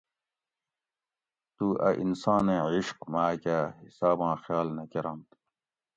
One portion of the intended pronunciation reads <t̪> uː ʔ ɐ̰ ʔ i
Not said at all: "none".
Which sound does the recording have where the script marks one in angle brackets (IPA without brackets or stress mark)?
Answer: t̪